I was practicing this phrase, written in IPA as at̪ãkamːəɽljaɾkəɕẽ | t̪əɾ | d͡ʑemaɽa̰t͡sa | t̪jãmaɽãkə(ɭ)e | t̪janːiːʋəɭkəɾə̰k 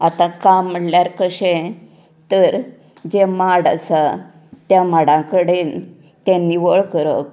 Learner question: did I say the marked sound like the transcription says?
no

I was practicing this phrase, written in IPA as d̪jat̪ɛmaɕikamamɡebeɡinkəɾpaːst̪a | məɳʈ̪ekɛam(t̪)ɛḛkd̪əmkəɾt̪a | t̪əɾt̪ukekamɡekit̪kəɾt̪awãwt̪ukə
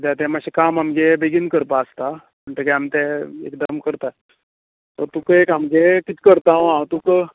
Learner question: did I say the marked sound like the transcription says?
yes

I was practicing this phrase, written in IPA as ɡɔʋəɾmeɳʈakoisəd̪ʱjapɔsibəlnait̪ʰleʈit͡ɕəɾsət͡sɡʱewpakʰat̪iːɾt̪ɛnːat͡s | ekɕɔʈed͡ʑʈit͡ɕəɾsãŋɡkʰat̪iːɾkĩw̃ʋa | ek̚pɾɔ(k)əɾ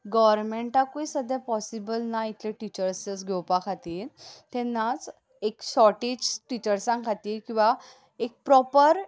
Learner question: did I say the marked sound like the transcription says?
no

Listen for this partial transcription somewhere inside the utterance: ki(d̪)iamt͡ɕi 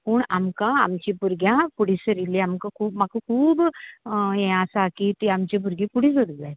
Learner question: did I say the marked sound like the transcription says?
no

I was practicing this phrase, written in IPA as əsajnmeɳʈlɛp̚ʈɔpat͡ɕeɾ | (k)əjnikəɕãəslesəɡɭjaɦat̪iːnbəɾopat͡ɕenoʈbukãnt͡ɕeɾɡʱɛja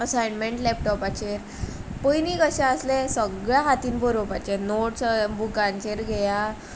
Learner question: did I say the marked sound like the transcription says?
no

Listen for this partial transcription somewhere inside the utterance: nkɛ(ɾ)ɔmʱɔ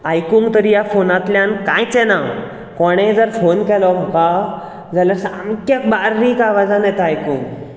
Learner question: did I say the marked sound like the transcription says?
no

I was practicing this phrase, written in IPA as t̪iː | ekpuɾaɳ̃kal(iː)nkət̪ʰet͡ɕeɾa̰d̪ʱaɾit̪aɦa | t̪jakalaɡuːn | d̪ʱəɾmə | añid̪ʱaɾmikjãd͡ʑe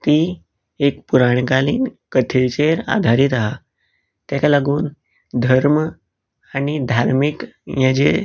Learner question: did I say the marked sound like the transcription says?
yes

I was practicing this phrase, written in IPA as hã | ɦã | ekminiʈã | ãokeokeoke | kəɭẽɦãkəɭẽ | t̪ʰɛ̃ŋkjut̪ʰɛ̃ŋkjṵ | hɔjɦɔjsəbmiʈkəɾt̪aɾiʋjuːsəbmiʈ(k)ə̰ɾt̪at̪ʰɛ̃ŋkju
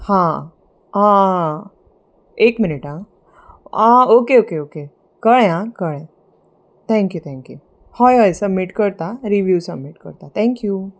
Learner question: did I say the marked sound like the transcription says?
yes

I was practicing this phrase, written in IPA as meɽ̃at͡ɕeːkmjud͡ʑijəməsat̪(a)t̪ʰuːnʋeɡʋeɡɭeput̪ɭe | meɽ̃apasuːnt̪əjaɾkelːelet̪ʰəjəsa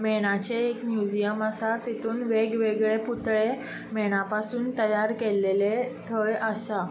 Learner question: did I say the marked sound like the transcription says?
no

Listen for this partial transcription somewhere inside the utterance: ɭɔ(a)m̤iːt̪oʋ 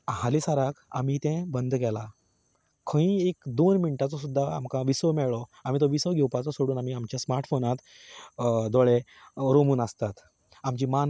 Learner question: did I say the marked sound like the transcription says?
yes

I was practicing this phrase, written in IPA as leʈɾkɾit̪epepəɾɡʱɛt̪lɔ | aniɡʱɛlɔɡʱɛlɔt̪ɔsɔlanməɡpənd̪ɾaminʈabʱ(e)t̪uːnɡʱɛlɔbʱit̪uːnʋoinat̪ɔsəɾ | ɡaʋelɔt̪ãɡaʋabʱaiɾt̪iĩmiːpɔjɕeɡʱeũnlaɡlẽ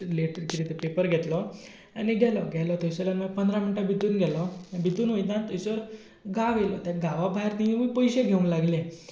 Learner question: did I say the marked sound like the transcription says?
no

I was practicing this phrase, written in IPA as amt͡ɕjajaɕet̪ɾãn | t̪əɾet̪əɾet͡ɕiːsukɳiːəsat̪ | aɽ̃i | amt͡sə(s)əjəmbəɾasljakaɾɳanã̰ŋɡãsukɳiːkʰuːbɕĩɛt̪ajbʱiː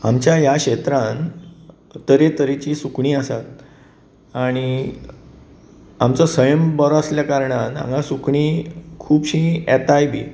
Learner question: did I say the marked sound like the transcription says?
yes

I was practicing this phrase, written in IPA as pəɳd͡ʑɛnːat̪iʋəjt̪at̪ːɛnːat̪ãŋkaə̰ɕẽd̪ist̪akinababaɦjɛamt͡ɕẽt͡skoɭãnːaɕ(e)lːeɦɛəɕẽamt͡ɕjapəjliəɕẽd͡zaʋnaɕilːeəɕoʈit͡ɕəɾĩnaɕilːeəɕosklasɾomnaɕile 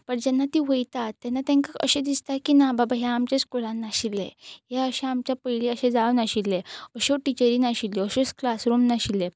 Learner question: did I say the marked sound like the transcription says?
no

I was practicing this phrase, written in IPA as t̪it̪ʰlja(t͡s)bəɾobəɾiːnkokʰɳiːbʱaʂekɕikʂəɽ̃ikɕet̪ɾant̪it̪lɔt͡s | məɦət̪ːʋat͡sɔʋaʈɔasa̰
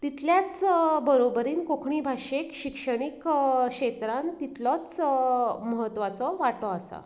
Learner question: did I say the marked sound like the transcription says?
yes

